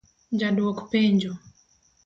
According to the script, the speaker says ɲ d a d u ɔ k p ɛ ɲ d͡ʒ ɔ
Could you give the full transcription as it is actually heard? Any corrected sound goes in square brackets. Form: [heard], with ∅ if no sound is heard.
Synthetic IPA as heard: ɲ [d͡ʒ] a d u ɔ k p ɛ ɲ d͡ʒ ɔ